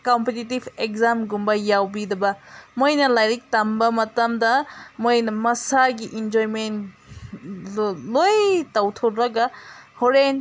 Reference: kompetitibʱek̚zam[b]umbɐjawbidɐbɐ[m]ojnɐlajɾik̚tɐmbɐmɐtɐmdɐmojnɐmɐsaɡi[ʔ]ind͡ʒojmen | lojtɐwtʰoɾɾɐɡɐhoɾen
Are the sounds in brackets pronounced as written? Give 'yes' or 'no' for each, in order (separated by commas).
no, yes, yes